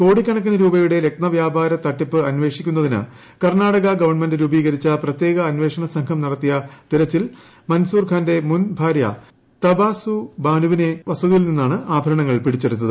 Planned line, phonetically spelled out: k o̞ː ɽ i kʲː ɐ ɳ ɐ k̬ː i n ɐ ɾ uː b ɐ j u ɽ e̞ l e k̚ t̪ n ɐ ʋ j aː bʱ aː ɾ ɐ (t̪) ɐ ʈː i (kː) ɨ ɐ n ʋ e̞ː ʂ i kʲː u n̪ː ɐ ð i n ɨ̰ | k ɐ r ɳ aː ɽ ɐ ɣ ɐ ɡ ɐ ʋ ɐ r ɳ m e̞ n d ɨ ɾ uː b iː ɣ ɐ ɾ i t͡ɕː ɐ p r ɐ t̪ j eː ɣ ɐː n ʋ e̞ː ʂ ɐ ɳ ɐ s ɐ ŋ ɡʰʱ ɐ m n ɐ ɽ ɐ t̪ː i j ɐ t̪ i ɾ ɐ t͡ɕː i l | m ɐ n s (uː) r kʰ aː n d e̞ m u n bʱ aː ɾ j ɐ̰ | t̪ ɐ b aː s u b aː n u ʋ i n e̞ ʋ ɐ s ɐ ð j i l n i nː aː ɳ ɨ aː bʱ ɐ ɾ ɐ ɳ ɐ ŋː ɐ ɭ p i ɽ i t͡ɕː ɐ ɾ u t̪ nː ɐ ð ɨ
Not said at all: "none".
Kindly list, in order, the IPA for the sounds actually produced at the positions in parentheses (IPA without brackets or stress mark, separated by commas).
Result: t̪, pː, uː